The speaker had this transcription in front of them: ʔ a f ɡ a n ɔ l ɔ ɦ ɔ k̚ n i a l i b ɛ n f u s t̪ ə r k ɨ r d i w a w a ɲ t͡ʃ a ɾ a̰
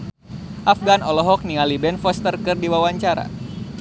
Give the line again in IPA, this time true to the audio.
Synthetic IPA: ʔ a f ɡ a n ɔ l ɔ ɦ ɔ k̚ n i a l i b ɛ n f ɔ s t̪ ə r k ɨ r d i w a w a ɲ t͡ʃ a ɾ a̰